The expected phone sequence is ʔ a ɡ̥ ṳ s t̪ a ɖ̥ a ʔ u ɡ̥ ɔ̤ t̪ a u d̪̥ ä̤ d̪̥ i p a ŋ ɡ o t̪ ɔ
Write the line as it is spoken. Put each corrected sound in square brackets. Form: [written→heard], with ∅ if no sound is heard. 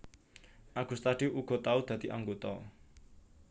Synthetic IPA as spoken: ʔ a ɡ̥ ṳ s t̪ a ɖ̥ [a→i] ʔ u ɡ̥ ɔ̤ t̪ a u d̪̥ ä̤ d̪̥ i [p→ʔ] a ŋ ɡ o t̪ ɔ